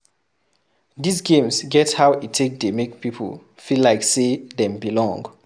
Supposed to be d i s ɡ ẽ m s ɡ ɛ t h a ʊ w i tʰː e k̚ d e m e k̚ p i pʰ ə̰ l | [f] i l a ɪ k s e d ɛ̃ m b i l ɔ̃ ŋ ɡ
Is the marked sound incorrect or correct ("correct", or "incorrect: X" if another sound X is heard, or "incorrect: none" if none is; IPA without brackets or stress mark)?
correct